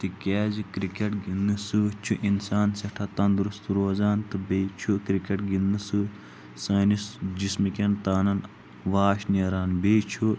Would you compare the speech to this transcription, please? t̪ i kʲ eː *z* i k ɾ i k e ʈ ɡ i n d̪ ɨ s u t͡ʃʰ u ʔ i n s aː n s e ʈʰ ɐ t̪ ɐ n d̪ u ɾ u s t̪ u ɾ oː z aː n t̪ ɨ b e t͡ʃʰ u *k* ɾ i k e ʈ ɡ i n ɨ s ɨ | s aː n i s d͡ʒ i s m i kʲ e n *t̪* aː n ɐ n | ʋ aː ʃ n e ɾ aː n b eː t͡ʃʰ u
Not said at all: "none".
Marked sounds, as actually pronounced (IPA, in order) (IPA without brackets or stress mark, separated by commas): z, k, t̪